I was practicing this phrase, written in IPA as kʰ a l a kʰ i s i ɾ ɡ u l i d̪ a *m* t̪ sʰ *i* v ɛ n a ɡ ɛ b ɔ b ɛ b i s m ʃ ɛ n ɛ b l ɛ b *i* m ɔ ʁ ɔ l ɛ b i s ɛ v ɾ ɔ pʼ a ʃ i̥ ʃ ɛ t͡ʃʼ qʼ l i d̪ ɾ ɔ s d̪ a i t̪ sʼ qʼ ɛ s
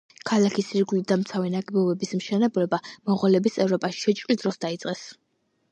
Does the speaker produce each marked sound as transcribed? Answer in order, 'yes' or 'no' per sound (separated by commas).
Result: yes, no, no